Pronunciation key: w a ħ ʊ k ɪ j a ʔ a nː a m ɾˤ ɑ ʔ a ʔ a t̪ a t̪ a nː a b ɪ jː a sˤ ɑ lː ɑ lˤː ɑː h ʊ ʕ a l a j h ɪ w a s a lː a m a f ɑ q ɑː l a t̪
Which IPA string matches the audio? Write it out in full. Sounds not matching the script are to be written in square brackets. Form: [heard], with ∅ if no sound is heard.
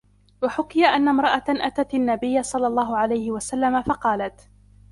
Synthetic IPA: w a ħ ʊ k ɪ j a ʔ a nː a m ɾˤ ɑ ʔ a ʔ a t̪ a t̪ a nː a b ɪ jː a sˤ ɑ lː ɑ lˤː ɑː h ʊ ʕ a l a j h ɪ w a s a lː a m a f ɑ q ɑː l a t̪